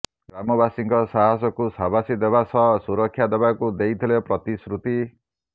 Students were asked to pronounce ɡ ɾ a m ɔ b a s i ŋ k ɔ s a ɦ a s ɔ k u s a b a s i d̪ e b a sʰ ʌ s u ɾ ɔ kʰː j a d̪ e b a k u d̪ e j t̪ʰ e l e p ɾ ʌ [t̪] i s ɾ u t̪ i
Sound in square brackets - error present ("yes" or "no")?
no